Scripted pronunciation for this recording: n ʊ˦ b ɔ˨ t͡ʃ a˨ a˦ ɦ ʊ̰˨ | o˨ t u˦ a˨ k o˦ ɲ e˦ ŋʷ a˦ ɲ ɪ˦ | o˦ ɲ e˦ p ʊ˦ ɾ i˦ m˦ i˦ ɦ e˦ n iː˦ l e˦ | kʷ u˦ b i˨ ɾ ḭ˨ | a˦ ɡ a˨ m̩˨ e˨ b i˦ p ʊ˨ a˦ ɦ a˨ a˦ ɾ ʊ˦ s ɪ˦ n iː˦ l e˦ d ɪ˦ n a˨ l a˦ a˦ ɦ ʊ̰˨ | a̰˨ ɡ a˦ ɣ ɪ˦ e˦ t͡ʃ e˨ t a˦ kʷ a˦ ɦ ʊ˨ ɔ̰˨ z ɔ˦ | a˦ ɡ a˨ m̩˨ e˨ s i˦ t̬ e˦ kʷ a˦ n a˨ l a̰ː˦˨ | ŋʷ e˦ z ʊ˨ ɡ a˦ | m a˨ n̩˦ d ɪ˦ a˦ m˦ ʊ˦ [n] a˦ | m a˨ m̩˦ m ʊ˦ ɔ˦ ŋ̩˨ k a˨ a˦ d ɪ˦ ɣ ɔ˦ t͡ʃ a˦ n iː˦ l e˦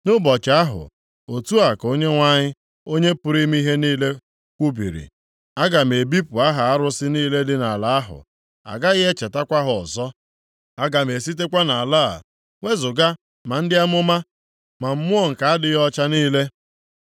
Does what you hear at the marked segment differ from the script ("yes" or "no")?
yes